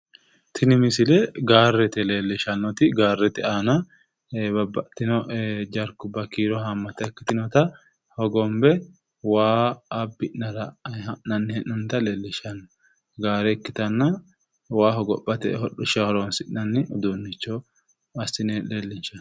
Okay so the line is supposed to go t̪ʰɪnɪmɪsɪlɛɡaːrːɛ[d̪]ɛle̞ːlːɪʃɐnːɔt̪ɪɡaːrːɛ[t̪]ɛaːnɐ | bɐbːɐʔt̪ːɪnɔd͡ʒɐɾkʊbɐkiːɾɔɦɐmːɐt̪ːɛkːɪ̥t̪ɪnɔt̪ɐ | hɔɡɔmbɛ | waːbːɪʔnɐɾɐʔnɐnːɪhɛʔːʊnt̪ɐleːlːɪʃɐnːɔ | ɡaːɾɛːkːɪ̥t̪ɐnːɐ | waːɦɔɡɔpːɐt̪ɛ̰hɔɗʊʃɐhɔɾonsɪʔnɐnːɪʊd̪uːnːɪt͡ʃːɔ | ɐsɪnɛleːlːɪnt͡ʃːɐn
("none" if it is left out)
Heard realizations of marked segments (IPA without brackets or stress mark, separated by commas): t̪, t̪